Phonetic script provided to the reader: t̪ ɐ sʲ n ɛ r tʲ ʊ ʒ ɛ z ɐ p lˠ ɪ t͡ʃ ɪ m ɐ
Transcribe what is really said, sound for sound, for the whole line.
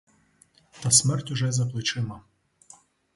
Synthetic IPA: t̪ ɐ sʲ m ɛ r tʲ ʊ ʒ ɛ z ɐ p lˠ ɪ t͡ʃ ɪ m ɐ